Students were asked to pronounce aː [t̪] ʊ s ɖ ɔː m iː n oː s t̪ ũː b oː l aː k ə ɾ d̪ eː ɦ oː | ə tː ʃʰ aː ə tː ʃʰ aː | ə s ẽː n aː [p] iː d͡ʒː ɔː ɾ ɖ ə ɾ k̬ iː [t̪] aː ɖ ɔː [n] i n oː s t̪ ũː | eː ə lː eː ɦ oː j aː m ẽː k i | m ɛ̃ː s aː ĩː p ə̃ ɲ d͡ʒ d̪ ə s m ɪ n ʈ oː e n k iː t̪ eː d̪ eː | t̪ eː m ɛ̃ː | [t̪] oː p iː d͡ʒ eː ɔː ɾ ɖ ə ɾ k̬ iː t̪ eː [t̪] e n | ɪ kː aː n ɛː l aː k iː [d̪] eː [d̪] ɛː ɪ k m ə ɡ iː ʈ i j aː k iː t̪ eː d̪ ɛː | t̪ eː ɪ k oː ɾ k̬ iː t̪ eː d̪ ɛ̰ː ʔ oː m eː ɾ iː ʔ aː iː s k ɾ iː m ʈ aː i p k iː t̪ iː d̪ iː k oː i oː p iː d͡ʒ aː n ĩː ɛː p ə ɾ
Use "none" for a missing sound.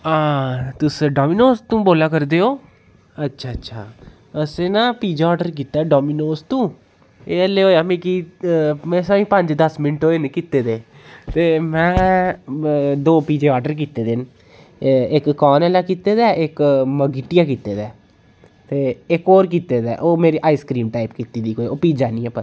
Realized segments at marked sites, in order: t̪, p, t̪, m, d̪, d̪, t̪, d̪

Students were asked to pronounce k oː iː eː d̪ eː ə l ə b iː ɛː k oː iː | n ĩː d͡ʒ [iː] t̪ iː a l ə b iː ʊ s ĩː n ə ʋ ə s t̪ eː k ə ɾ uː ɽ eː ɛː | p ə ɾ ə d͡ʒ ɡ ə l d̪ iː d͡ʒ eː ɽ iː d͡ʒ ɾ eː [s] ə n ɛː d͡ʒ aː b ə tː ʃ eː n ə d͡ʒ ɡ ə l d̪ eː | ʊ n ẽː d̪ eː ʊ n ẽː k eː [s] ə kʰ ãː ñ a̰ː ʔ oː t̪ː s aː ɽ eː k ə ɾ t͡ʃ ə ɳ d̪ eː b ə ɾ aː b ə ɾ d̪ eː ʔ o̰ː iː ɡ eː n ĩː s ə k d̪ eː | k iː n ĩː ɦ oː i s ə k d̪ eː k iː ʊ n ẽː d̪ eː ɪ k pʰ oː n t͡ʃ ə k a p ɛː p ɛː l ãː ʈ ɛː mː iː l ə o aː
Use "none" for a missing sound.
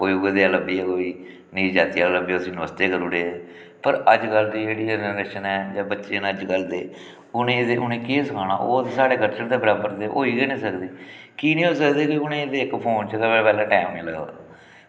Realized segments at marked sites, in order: aː, ʃ, s

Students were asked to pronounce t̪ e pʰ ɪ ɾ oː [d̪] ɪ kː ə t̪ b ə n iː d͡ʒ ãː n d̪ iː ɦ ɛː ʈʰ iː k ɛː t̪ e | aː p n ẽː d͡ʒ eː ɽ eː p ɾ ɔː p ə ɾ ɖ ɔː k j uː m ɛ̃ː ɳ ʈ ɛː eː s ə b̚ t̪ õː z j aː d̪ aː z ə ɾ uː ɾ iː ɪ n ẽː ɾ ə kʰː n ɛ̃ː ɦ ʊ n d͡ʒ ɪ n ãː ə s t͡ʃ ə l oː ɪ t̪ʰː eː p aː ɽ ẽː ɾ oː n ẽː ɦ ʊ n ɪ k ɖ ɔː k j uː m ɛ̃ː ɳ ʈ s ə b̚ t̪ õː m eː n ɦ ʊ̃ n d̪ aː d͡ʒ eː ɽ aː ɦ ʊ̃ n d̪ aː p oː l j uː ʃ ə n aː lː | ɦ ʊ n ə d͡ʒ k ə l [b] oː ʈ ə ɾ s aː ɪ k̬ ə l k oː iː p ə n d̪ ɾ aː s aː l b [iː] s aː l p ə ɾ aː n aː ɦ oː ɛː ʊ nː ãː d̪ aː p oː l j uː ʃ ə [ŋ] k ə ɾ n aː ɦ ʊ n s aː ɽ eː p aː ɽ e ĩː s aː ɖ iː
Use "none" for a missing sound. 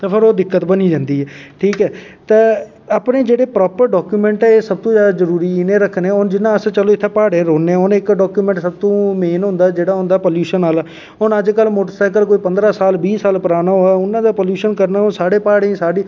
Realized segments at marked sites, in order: d̪, m, iː, n

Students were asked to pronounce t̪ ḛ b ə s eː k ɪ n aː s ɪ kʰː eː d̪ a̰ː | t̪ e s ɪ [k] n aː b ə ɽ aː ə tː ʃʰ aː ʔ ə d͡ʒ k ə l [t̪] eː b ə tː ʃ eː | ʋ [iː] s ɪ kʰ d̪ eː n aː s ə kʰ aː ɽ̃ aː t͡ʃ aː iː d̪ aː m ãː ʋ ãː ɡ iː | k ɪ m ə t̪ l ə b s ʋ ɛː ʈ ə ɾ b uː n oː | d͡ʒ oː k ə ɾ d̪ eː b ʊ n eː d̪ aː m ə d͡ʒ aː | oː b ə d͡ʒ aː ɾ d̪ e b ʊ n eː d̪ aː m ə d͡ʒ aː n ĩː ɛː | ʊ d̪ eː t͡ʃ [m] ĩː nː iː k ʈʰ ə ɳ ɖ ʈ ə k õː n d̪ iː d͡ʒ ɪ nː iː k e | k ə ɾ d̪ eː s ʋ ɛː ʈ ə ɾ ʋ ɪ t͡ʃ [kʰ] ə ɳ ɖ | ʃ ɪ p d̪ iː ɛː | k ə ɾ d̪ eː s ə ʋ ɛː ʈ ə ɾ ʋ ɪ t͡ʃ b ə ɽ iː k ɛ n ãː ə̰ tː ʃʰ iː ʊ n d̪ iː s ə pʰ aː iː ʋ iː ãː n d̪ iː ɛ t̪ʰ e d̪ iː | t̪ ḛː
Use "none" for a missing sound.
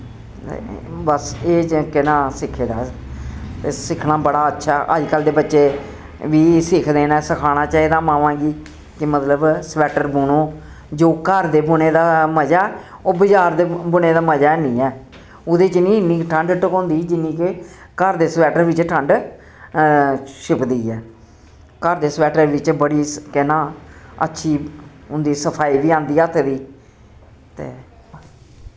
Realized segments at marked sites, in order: kʰ, d̪, iː, n, ʈʰ

